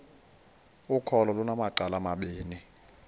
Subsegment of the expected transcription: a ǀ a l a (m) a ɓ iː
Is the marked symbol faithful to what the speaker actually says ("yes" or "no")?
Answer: yes